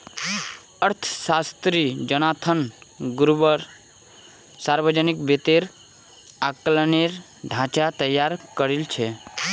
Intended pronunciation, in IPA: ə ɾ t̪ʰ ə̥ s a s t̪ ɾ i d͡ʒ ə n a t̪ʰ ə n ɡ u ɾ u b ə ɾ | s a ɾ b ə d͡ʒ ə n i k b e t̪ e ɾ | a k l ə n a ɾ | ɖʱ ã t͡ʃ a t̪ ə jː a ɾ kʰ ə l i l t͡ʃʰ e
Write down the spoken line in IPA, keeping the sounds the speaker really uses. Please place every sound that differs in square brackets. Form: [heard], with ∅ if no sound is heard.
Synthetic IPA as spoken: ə ɾ t̪ʰ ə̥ s a s t̪ ɾ i d͡ʒ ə n a t̪ʰ ə n ɡ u ɾ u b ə ɾ | s a ɾ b ə d͡ʒ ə n i k b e t̪ e ɾ | a k l ə n [e] ɾ | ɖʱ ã t͡ʃ a t̪ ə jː a ɾ [k] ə [ɾ] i l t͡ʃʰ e